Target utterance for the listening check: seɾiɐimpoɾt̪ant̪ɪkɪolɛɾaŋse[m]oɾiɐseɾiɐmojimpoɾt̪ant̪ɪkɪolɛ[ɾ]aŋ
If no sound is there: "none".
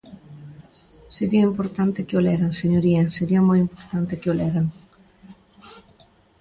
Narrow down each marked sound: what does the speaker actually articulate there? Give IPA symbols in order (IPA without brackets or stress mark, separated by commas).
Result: ɲ, ɾ